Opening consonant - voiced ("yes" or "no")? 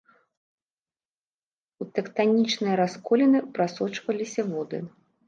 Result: no